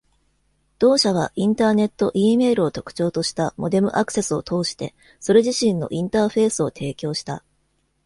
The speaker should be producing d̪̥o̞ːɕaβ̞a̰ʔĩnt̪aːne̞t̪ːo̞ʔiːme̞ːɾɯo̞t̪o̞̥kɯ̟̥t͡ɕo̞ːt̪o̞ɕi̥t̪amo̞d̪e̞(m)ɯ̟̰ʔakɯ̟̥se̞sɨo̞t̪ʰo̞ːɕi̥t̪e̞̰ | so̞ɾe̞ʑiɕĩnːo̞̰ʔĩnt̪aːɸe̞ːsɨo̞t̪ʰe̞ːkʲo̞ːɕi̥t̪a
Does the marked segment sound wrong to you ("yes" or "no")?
no